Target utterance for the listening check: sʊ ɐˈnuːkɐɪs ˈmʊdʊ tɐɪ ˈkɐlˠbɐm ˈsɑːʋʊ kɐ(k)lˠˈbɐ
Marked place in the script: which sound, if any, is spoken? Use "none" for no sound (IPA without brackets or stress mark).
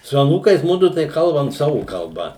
none